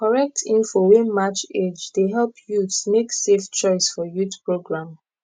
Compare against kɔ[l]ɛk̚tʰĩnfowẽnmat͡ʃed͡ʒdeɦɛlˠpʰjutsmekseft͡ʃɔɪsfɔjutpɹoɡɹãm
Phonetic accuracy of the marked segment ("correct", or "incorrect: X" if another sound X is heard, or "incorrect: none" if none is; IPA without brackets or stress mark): incorrect: ɹ